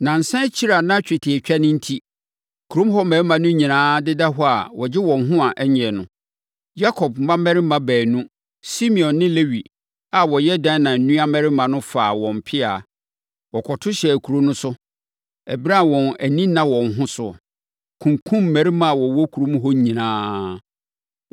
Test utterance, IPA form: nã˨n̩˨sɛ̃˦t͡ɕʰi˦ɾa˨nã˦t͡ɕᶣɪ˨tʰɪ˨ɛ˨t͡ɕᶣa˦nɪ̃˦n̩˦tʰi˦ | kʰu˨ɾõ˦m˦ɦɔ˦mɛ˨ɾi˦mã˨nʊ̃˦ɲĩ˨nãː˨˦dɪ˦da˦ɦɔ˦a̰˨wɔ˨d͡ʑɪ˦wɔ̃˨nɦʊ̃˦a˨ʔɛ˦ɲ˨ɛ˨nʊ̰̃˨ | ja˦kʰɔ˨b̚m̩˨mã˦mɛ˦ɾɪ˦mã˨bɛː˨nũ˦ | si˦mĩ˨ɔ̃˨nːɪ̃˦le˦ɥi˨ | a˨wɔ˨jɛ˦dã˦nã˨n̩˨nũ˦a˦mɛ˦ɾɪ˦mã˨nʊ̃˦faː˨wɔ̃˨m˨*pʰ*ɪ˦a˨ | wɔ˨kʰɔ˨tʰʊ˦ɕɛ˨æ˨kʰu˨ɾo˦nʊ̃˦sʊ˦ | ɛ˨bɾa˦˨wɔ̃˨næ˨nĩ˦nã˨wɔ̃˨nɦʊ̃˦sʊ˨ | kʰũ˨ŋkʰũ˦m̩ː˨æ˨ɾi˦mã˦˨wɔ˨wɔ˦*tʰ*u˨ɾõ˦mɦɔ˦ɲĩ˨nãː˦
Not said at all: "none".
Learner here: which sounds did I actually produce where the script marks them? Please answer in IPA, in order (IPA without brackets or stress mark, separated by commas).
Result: pʰ, kʰ